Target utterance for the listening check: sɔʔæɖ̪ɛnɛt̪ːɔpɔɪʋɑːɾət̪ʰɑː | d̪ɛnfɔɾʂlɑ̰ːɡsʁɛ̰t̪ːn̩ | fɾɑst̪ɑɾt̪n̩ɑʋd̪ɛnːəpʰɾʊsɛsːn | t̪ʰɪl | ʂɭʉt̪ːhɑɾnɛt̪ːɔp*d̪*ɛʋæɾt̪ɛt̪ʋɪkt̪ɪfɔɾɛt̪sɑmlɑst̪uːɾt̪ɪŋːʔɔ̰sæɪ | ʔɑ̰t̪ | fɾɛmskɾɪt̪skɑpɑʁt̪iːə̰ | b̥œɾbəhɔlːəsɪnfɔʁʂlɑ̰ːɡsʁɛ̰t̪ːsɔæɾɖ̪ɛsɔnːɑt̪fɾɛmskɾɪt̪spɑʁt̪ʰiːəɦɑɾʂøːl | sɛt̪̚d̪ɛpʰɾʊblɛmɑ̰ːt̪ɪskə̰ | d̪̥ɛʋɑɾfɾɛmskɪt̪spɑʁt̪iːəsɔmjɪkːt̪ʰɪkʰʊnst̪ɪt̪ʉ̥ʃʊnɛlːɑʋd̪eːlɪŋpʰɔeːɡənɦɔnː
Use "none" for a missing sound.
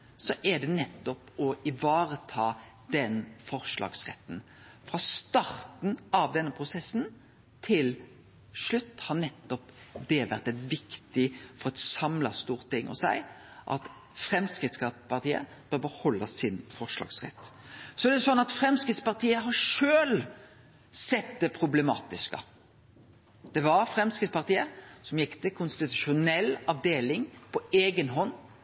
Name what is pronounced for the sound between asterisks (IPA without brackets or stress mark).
d̪